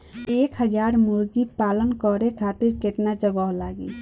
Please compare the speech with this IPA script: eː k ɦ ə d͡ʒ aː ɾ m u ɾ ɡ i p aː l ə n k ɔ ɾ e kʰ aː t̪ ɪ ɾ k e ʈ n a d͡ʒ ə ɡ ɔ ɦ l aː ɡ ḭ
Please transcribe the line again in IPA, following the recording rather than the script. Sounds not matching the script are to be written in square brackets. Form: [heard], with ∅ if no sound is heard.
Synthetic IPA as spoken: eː k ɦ ə d͡ʒ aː ɾ m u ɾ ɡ i p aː l ə n k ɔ ɾ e kʰ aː t̪ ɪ ɾ k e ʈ n a d͡ʒ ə ɡ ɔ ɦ l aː ɡ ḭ